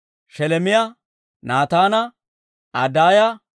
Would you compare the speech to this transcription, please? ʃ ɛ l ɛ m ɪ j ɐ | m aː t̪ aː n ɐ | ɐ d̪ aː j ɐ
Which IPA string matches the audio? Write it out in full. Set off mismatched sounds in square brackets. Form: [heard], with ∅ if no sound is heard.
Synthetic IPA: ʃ ɛ l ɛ m ɪ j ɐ | [n] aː t̪ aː n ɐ | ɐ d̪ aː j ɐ